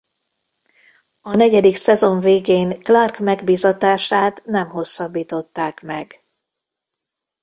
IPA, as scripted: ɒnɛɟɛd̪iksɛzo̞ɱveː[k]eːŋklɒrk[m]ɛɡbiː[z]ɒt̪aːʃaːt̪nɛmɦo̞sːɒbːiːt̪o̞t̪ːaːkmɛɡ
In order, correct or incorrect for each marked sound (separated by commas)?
incorrect, correct, correct